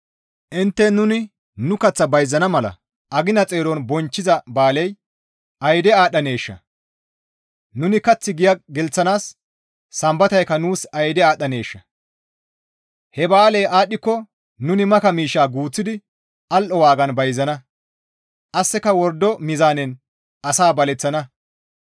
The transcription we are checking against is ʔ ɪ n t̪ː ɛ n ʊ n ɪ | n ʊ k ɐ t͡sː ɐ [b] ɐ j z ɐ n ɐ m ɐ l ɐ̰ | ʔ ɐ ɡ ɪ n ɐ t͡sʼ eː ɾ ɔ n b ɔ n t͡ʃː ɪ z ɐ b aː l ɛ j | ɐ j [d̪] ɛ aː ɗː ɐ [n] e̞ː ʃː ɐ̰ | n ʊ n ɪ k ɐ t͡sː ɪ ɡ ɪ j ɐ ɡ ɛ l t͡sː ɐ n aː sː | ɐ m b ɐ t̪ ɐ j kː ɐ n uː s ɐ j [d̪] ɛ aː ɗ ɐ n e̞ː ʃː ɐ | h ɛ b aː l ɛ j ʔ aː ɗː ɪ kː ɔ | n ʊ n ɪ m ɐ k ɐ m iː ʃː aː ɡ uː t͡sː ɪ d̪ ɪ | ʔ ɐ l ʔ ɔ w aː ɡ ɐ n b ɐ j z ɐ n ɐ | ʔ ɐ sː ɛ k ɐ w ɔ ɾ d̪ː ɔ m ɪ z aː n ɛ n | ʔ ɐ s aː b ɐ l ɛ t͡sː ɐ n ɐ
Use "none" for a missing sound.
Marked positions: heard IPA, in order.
b, d̪, n, d̪

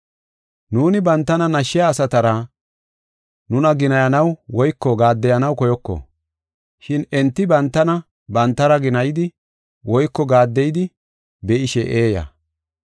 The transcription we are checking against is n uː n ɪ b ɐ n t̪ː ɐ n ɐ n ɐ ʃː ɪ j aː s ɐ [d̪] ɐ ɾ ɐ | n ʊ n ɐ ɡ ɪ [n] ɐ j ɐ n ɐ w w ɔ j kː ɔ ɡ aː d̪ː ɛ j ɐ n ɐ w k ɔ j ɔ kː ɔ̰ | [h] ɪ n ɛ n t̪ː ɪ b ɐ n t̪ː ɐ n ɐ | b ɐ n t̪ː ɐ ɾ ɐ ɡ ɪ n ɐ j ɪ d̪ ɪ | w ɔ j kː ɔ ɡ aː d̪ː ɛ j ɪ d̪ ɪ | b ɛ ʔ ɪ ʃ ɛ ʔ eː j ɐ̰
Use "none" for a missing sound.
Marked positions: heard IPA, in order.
t̪, n, ʃ

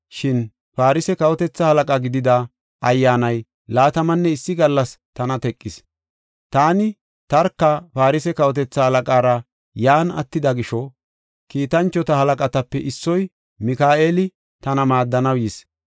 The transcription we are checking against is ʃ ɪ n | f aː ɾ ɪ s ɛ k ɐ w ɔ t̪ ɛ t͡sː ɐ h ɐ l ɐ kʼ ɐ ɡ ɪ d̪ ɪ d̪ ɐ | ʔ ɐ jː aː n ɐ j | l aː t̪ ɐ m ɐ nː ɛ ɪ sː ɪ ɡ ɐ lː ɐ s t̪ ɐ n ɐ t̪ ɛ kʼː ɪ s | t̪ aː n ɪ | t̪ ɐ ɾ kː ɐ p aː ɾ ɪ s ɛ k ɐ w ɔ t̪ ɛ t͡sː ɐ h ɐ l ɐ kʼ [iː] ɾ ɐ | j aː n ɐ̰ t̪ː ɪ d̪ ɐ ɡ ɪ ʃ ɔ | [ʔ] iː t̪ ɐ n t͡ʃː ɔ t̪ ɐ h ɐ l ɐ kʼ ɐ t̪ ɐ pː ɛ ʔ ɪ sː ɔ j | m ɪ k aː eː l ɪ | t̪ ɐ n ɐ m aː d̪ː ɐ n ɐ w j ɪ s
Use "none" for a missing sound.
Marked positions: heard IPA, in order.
aː, k

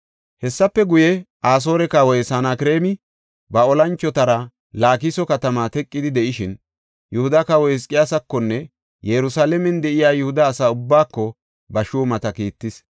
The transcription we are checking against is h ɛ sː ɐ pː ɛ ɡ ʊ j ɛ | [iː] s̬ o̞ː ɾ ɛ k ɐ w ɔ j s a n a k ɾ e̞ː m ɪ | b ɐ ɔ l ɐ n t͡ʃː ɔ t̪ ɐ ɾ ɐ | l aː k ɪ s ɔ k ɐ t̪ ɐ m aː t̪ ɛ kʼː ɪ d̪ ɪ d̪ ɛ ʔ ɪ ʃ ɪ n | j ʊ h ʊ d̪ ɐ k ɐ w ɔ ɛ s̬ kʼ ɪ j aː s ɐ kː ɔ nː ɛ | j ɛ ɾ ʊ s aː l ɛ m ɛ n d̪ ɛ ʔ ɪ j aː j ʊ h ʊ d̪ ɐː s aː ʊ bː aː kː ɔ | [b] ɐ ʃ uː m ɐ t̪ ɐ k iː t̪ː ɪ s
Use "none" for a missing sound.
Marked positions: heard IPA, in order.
aː, b

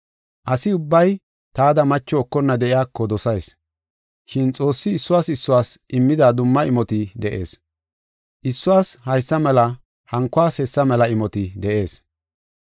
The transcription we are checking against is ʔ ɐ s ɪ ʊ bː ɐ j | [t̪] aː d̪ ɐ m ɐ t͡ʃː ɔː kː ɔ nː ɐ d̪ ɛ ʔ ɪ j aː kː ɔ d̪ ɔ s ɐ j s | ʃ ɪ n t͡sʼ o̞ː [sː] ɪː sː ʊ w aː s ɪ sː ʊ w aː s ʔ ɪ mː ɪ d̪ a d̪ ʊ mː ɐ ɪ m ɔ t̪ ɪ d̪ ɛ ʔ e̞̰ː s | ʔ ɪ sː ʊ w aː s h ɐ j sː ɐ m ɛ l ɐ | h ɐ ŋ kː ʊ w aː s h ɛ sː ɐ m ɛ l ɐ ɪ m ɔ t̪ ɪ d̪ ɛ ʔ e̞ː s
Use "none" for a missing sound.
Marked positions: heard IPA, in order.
t̪, sː

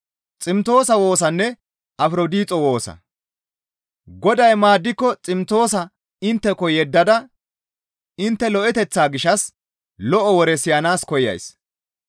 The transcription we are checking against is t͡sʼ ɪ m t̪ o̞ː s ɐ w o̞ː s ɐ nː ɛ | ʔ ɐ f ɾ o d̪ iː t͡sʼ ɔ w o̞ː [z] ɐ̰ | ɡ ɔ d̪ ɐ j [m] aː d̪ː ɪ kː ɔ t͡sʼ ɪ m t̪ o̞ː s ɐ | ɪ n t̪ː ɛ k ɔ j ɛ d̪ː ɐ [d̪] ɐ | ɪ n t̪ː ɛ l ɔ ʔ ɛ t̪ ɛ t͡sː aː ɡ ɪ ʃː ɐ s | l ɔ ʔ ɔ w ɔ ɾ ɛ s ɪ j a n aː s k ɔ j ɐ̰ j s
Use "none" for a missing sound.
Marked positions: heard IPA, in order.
s, m, d̪

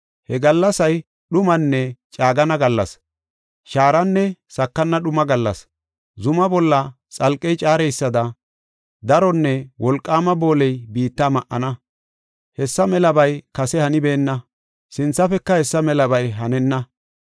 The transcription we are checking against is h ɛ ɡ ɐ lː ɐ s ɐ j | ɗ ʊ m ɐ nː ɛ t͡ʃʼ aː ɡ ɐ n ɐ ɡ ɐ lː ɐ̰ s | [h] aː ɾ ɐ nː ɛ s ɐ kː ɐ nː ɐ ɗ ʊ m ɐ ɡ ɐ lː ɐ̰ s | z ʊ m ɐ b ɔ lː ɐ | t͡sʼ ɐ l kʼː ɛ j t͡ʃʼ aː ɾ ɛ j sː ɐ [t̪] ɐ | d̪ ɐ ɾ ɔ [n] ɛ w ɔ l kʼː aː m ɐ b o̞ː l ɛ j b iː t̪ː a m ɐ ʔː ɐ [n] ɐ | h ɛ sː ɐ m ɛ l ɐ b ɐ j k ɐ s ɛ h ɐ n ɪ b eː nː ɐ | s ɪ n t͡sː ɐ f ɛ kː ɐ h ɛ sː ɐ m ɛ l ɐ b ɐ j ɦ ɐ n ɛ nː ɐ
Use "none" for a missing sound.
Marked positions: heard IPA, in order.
ʃ, d̪, nː, n

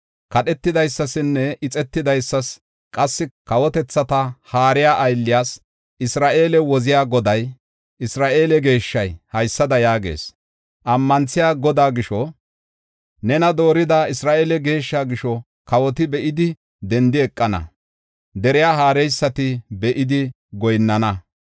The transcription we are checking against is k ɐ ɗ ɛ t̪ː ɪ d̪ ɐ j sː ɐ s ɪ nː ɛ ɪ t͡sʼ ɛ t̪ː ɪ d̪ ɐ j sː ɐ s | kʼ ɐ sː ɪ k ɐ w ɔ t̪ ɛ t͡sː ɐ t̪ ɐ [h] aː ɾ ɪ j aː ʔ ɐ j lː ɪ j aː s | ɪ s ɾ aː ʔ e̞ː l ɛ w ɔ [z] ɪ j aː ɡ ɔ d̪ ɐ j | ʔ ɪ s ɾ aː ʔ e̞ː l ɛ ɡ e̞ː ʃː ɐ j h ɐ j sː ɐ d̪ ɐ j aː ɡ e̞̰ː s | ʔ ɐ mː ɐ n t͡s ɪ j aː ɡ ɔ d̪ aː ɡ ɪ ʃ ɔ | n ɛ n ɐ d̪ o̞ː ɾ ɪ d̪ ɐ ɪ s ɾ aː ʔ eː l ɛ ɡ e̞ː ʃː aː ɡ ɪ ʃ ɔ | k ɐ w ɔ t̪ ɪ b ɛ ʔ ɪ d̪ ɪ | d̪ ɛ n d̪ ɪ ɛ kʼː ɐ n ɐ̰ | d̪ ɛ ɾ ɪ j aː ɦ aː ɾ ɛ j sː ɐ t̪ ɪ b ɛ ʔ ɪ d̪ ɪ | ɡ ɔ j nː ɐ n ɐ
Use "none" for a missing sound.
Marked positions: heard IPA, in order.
h, z

